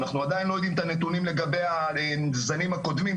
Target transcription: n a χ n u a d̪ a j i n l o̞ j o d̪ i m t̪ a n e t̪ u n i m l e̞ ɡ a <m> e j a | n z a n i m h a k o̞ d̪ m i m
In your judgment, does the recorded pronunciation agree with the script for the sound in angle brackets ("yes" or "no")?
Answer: no